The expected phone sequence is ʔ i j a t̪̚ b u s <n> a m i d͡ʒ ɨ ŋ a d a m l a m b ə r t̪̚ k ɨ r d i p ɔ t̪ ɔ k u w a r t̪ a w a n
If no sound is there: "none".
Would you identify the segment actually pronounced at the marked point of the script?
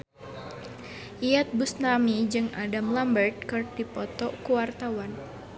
n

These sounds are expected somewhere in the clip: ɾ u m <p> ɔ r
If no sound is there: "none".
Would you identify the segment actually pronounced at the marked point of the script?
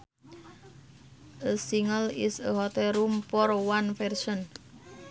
p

